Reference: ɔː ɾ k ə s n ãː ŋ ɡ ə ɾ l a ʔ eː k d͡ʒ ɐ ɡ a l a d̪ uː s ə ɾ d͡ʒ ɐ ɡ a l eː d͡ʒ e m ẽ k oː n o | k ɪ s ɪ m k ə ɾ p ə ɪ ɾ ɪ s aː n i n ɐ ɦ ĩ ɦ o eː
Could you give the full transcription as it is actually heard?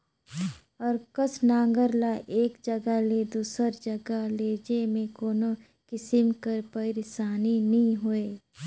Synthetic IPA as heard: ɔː ɾ k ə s n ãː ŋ ɡ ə ɾ l a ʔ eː k d͡ʒ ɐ ɡ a l e d̪ uː s ə ɾ d͡ʒ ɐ ɡ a l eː d͡ʒ e m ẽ k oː n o | k ɪ s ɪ m k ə ɾ p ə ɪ ɾ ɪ s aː n i n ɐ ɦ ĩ ɦ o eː